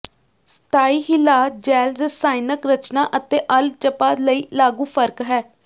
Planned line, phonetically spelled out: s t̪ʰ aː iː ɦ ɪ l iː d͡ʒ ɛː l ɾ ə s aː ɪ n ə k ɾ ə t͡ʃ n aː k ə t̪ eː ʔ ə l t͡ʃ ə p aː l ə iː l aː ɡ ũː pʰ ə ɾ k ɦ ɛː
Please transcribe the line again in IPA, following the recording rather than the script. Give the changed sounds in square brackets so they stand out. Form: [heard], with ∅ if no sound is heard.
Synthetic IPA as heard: s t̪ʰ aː iː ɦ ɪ l [aː] d͡ʒ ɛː l ɾ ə s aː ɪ n ə k ɾ ə t͡ʃ n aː [ʔ] ə t̪ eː ʔ ə l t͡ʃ ə p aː l ə iː l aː ɡ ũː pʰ ə ɾ k ɦ ɛː